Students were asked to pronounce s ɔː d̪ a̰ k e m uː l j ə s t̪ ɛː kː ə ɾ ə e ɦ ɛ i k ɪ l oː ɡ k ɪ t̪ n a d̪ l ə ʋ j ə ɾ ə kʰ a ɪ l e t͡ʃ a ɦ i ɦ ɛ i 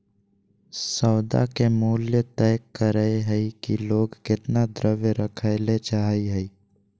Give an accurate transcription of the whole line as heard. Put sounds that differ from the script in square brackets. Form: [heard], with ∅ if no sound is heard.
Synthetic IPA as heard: s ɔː d̪ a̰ k e m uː l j ə [∅] t̪ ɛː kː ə ɾ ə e ɦ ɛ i k [i] l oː ɡ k ɪ t̪ n a d̪ [ɾ] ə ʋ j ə ɾ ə kʰ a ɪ l e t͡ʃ a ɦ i ɦ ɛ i